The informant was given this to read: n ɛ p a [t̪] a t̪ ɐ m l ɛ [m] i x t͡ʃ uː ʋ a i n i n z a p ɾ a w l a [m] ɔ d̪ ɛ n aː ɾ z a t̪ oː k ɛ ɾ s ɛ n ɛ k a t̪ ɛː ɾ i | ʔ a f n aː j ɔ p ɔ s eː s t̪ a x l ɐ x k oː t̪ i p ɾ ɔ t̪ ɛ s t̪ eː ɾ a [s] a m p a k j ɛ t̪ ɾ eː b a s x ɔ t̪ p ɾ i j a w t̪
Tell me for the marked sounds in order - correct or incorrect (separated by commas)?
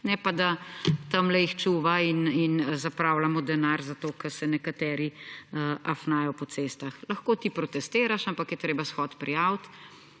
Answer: incorrect, incorrect, correct, incorrect